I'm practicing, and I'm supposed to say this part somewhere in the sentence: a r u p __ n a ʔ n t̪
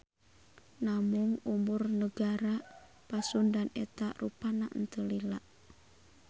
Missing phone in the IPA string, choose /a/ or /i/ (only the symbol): a